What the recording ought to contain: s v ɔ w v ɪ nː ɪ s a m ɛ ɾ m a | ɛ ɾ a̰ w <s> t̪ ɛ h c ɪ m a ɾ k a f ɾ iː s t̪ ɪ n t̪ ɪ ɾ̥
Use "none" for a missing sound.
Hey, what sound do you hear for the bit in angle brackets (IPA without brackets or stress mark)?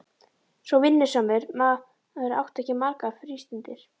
h